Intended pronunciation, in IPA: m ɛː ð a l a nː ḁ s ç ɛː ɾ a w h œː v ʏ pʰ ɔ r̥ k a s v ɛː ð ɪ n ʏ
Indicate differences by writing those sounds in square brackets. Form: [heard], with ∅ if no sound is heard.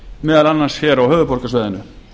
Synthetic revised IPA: m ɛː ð a l a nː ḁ s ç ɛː ɾ a w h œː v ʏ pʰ ɔ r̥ k a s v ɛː ð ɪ n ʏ